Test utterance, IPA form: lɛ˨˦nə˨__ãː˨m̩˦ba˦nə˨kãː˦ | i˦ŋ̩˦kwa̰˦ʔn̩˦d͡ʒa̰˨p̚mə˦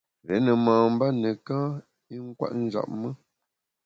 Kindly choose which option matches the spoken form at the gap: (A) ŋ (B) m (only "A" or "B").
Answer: B